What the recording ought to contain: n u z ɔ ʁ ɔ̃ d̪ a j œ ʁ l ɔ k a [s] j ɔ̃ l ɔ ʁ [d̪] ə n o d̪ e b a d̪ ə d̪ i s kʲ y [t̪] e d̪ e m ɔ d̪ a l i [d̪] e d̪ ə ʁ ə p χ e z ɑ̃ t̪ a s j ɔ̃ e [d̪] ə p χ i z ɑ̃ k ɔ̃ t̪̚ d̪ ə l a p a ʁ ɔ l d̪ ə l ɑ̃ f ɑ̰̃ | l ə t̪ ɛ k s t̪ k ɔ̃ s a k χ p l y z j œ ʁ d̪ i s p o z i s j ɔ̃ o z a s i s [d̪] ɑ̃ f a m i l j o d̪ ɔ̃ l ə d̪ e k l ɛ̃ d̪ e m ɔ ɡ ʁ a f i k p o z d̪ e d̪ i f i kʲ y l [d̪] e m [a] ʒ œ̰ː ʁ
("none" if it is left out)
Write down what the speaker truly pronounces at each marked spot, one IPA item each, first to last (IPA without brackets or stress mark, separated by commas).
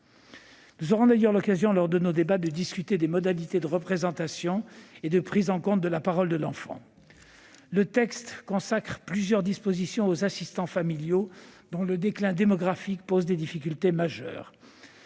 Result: z, d̪, t̪, t̪, d̪, t̪, t̪, a